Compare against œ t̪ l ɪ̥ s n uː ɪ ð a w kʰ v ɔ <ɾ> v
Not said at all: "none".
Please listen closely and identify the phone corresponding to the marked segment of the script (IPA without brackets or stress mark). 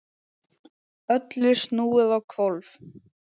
l